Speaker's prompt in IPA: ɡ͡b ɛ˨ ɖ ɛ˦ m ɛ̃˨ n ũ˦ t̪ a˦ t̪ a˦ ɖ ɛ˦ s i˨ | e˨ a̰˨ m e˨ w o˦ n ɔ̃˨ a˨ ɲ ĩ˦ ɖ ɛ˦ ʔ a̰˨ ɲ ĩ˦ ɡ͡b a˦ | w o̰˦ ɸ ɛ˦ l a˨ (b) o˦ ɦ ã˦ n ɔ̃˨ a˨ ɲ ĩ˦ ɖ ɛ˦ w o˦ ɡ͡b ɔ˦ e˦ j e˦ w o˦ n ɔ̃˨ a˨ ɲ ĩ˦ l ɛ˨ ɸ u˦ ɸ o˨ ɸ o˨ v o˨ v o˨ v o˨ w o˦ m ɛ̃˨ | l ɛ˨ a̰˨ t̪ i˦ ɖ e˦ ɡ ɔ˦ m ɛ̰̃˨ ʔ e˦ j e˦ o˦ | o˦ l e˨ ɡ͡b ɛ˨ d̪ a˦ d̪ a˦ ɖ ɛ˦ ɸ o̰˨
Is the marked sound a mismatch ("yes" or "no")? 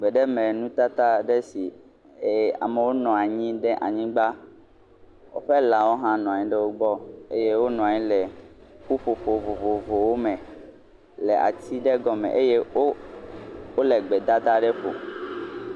yes